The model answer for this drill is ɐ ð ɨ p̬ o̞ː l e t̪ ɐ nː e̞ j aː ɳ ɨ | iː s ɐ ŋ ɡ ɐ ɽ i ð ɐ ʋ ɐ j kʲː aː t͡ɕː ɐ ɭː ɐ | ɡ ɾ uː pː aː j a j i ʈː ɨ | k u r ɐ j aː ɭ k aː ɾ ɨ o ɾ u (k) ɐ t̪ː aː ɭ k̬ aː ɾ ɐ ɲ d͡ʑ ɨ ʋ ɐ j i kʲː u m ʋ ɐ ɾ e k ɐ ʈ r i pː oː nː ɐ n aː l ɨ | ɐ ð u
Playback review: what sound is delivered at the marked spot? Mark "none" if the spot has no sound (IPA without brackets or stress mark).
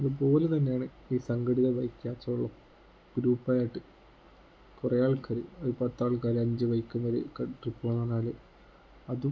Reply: p